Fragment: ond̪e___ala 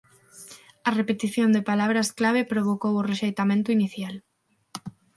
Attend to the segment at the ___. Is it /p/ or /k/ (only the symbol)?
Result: p